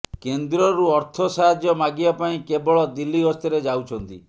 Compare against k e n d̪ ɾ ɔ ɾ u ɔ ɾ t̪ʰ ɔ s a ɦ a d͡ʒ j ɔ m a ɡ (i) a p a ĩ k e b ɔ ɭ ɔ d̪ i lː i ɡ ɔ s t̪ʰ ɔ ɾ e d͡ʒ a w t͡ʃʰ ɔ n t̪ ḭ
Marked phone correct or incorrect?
correct